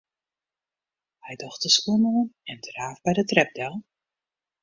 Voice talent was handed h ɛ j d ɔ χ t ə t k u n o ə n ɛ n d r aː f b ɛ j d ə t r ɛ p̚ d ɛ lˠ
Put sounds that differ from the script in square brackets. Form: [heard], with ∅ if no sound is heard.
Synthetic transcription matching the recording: h ɛ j d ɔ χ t ə [s] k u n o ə n ɛ n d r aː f b ɛ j d ə t r ɛ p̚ d ɛ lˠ